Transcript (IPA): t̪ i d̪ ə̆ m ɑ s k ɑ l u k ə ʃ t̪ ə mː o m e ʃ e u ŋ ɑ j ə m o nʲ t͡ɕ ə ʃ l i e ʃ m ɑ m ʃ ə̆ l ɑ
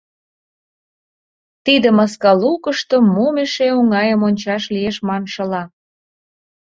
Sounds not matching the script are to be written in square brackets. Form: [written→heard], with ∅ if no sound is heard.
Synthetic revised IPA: t̪ i d̪ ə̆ m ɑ s k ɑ l u k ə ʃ t̪ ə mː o m e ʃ e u ŋ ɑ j ə m o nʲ t͡ɕ [ə→ɑ] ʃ l i e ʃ m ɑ [m→n] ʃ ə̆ l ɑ